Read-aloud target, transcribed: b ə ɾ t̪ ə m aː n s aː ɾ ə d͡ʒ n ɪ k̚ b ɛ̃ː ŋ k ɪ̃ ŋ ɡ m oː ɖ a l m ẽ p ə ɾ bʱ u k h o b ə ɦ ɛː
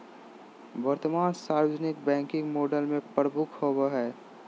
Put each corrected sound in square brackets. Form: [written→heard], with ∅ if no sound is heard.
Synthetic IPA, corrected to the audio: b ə ɾ t̪ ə m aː n s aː ɾ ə d͡ʒ n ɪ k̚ b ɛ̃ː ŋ k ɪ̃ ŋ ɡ m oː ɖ [a→ə] l m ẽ p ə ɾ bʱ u k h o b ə ɦ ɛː